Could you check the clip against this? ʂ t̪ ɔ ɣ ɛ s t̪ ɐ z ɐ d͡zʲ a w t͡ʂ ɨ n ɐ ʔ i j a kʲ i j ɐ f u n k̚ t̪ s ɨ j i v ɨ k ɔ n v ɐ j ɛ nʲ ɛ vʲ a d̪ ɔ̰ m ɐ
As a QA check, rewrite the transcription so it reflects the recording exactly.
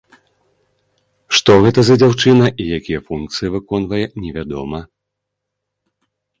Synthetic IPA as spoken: ʂ t̪ ɔ ɣ ɛ t̪ ɐ z ɐ d͡zʲ a w t͡ʂ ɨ n ɐ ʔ i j a kʲ i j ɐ f u n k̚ t̪ s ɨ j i v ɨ k ɔ n v ɐ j ɛ nʲ ɛ vʲ a d̪ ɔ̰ m ɐ